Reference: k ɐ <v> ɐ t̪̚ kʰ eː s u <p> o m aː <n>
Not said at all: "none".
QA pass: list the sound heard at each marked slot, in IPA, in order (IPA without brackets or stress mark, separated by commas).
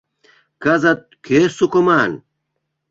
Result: z, k, n